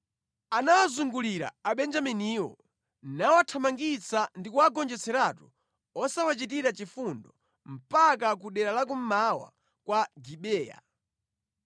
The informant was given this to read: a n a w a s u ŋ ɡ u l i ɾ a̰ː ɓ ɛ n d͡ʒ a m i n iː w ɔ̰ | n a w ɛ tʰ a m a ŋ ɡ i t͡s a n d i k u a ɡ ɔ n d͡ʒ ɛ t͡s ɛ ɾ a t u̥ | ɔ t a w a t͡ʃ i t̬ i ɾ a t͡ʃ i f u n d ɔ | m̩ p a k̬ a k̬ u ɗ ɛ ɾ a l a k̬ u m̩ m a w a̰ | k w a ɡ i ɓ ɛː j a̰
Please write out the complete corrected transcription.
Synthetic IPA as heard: a n a w a z u ŋ ɡ u l i ɾ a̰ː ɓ ɛ n d͡ʒ a m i n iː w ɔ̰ | n a w a tʰ a m a ŋ ɡ i t͡s a n d i k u a ɡ ɔ n d͡ʒ ɛ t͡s ɛ ɾ a t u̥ | ɔ s a w a t͡ʃ i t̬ i ɾ a t͡ʃ i f u n d ɔ | m̩ p a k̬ a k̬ u ɗ ɛ ɾ a l a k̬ u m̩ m a w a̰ | k w a ɡ i ɓ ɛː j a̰